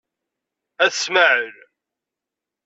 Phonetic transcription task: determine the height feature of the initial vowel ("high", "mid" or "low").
low